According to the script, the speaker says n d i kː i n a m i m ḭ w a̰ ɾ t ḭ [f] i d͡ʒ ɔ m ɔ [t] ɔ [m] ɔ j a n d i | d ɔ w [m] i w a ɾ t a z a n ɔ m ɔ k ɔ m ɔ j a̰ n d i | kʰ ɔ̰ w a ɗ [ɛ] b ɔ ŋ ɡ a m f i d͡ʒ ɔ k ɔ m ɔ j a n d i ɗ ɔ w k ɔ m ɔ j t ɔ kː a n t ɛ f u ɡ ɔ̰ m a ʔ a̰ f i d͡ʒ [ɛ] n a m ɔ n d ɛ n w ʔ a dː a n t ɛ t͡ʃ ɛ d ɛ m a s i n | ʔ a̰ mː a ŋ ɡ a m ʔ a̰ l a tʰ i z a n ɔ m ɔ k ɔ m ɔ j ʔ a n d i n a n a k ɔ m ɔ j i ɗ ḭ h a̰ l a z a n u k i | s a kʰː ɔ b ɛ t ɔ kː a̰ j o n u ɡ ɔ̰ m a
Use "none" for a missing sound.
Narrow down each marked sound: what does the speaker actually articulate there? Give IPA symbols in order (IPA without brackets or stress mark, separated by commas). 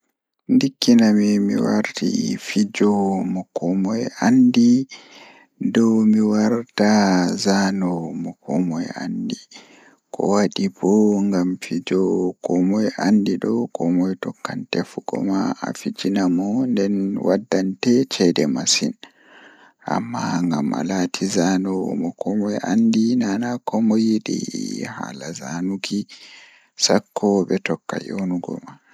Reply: f, k, m, m, i, i